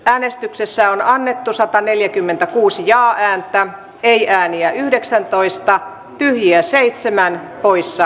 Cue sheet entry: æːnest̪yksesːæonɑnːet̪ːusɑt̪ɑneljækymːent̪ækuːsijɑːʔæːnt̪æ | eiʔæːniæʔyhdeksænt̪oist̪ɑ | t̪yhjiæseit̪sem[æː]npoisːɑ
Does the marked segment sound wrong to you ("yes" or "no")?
yes